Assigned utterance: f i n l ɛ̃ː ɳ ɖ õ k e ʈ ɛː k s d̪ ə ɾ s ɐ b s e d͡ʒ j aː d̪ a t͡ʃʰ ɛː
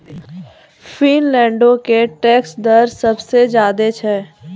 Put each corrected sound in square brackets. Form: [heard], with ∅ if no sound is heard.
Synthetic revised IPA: f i n l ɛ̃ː ɳ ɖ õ k e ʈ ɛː k s d̪ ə ɾ s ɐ b s e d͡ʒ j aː d̪ [e] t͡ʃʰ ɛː